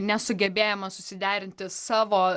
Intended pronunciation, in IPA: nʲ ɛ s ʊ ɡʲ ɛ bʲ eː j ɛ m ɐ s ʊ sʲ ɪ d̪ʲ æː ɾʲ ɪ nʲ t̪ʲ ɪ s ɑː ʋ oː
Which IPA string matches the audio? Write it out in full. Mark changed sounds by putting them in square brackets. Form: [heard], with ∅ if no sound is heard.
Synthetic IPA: nʲ ɛ s ʊ ɡʲ ɛ bʲ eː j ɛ m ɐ s ʊ sʲ ɪ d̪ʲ æː ɾʲ ɪ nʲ t̪ʲ ɪ s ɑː ʋ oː